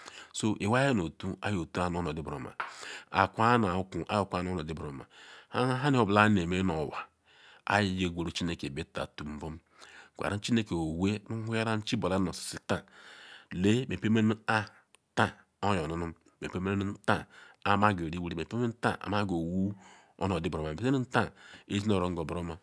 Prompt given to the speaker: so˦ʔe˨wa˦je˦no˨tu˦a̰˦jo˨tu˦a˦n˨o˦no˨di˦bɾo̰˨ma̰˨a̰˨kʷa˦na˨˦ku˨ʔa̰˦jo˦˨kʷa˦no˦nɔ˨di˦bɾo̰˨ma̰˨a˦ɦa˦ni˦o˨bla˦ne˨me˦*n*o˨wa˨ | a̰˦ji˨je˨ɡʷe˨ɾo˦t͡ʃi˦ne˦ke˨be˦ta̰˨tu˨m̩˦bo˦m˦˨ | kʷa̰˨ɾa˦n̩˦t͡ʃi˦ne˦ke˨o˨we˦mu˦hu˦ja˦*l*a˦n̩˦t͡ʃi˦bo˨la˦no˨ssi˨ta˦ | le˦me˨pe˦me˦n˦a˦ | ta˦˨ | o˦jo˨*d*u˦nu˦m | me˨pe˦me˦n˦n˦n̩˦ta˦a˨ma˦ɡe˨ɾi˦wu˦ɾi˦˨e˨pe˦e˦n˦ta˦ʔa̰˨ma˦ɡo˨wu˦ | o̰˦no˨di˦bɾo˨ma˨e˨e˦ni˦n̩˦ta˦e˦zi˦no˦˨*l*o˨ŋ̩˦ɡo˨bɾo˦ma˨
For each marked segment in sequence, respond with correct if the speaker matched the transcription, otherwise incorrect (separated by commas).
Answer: correct, incorrect, incorrect, incorrect